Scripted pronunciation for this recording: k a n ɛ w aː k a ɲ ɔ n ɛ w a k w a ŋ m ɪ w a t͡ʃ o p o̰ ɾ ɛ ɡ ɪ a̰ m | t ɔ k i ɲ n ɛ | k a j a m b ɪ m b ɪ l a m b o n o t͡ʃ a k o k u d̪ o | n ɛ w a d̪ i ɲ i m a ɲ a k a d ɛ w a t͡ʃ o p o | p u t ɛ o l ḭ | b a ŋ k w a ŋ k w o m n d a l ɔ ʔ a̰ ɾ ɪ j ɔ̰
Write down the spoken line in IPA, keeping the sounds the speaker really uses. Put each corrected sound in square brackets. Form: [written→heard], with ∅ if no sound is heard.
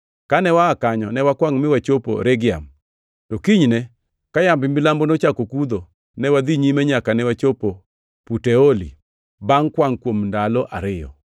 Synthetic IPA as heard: k a n ɛ w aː k a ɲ ɔ n ɛ w a k w a ŋ m ɪ w a t͡ʃ o p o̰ ɾ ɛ ɡ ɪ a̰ m | t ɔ k i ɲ n ɛ | k a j a m b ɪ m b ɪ l a m b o n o t͡ʃ a k o k u d̪ o | n ɛ w a d̪ i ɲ i m [a→ɛ] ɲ a k a [d→n] ɛ w a t͡ʃ o p o | p u t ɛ o l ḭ | b a ŋ k w a ŋ k w o m n d a l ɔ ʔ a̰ ɾ ɪ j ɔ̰